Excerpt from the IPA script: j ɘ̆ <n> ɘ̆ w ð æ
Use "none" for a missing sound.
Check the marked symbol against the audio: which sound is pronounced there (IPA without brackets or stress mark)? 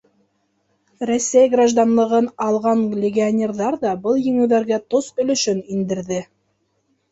ŋ